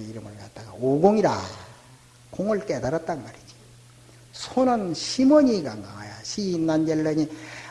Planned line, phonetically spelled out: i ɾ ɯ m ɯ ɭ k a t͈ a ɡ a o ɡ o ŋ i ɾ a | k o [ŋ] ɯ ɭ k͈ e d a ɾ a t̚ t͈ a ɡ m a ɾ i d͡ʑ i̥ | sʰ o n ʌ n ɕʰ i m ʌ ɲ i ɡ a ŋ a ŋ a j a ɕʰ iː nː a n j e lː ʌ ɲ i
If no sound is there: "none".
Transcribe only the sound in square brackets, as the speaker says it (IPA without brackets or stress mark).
ŋ